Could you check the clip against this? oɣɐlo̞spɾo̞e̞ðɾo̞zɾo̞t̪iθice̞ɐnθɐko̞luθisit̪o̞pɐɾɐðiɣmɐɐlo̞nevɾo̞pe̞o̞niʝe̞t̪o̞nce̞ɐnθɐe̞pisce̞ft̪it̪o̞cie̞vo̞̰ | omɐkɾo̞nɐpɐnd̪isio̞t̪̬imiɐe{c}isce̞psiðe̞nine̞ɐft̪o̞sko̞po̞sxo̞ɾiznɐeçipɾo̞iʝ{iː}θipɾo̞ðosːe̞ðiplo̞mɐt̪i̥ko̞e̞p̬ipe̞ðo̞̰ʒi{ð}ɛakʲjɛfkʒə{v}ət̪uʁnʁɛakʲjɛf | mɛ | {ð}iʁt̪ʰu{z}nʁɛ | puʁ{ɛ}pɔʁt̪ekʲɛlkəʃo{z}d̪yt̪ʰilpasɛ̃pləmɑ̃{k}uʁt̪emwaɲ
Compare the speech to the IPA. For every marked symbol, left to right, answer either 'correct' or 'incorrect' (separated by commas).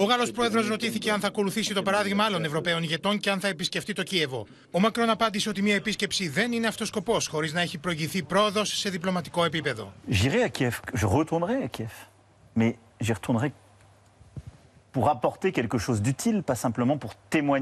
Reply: incorrect, incorrect, incorrect, incorrect, incorrect, incorrect, incorrect, correct, incorrect